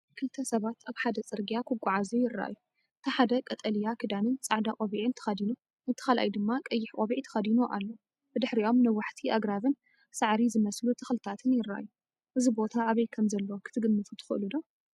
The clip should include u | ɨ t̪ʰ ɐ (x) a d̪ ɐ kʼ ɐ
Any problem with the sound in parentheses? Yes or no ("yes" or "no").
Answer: yes